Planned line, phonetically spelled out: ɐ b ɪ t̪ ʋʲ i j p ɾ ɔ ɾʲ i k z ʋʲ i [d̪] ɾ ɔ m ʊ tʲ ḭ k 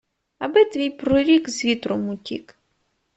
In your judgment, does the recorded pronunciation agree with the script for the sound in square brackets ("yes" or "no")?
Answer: no